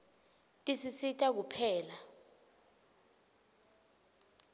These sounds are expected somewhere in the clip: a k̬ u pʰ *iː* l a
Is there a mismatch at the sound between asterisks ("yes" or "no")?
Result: yes